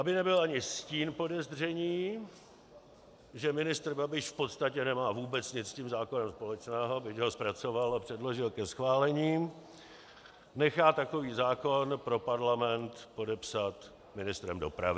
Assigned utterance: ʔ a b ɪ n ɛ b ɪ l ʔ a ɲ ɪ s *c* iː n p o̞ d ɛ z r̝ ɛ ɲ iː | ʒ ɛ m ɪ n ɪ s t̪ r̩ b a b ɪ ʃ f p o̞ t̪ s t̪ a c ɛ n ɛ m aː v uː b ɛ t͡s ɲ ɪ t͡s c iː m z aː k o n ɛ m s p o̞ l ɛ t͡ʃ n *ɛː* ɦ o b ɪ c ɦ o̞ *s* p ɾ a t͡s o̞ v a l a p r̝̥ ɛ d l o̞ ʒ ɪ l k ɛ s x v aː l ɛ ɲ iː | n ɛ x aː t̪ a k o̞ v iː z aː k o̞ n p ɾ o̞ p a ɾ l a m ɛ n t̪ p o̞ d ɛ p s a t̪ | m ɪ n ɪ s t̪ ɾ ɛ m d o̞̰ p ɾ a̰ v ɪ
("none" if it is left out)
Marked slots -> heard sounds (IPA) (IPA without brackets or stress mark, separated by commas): c, ɛː, s